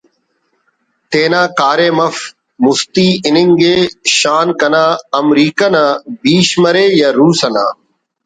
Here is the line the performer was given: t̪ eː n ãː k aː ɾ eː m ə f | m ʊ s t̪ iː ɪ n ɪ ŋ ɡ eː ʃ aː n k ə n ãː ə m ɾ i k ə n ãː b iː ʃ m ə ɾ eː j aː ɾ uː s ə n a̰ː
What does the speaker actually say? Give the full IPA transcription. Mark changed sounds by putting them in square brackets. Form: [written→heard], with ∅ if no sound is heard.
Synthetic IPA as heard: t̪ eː n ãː k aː ɾ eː m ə f | m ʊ s t̪ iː ɪ n ɪ ŋ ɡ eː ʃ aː n k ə n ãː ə m ɾ [i→iː] k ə n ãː b iː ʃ m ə ɾ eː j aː ɾ uː s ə n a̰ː